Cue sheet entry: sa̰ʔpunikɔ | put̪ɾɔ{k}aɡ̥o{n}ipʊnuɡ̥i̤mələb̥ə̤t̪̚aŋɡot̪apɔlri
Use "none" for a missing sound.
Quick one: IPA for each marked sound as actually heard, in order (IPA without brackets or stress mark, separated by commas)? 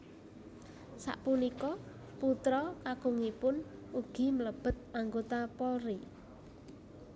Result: k, ŋ